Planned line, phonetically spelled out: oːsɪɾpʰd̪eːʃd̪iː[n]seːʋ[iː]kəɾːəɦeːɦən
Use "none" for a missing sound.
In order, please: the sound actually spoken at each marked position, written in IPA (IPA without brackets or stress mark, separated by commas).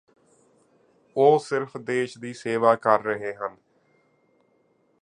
none, aː